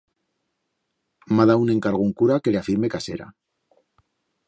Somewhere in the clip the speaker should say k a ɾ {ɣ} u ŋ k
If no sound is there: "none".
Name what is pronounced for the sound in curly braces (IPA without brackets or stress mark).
ɣ